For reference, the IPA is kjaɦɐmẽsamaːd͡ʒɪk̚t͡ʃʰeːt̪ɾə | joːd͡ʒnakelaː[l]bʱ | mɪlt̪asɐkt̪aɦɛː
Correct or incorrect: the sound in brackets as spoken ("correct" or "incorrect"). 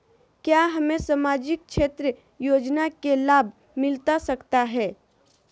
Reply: incorrect